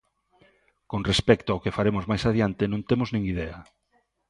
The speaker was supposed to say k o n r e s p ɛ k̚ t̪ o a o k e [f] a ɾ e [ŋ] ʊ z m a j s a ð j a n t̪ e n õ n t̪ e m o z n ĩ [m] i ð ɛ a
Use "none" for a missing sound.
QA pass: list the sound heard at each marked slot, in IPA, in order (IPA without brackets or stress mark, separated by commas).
f, m, ŋ